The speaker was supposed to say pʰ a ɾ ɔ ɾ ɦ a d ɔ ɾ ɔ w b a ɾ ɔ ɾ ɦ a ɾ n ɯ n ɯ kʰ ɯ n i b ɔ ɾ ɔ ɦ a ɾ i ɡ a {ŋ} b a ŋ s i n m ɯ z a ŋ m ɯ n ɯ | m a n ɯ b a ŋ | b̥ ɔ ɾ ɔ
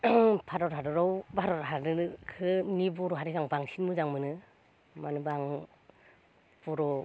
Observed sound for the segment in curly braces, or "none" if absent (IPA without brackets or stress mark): ŋ